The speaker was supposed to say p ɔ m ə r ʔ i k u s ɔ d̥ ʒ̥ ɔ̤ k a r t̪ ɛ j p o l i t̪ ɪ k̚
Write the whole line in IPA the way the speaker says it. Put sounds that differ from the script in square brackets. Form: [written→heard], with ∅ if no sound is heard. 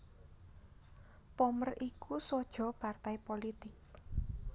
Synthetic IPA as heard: p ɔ m ə r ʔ i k u s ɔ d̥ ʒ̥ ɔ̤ [k→p] a r t̪ [ɛ→a] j p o l i t̪ ɪ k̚